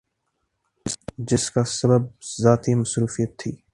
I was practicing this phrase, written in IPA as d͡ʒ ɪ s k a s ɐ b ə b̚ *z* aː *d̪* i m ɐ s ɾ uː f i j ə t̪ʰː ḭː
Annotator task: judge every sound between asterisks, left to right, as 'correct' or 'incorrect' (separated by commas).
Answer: correct, incorrect